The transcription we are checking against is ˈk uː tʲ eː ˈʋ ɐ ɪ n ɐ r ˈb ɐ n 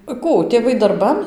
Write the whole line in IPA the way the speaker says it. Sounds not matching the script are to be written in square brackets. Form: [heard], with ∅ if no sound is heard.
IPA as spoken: ˈk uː tʲ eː ˈʋ ɐ ɪ [d] ɐ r ˈb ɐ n